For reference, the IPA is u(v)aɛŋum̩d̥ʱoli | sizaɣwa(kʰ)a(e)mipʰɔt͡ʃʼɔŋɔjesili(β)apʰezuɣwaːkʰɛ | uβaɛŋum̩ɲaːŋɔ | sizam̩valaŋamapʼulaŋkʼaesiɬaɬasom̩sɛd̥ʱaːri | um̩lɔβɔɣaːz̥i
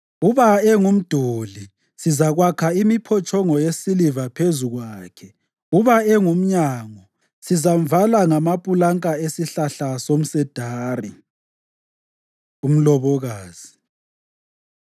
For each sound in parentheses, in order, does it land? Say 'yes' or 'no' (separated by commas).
no, yes, no, no